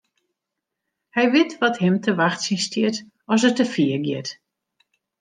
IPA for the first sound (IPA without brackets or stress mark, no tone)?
h